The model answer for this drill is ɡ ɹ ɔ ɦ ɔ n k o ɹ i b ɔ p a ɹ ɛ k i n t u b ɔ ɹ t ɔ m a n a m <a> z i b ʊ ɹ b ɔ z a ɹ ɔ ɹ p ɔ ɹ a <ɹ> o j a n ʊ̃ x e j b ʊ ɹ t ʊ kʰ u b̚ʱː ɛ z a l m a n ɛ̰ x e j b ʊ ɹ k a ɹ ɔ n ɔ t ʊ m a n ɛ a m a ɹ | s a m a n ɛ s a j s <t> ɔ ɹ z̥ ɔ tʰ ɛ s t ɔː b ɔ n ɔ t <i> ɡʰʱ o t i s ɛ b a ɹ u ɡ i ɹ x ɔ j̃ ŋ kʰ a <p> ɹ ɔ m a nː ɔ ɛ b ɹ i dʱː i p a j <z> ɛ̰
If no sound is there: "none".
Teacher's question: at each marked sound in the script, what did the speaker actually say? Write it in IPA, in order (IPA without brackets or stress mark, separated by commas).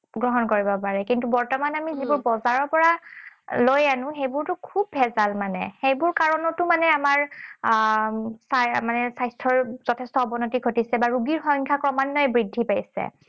i, l, tʰ, i, k, s